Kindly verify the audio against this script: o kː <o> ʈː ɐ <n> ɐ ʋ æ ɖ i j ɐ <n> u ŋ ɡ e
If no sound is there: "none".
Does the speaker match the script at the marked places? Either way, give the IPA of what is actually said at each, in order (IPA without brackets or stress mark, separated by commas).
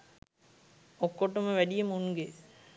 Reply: o, m, m